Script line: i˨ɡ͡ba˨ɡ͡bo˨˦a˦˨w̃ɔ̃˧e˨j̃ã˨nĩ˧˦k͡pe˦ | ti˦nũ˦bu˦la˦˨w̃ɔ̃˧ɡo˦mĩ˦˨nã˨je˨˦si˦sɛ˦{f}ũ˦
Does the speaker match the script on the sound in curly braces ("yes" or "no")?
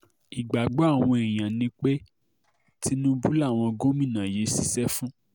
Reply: yes